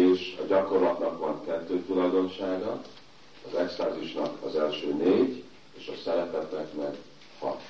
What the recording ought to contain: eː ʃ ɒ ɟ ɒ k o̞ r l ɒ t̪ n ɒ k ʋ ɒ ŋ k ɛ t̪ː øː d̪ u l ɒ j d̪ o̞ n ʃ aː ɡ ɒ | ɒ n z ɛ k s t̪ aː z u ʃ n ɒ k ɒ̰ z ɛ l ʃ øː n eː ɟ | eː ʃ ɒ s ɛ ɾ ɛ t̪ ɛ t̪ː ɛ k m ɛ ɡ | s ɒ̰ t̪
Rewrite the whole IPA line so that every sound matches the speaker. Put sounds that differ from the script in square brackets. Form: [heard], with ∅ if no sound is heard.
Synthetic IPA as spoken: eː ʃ ɒ ɟ ɒ k o̞ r l ɒ t̪ n ɒ k ʋ ɒ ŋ k ɛ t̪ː øː [t̪] u l ɒ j d̪ o̞ n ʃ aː ɡ ɒ | ɒ [∅] z ɛ k s t̪ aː z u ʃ n ɒ k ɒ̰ z ɛ l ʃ øː n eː ɟ | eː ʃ ɒ s ɛ ɾ ɛ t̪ ɛ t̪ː ɛ k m ɛ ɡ | [h] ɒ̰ t̪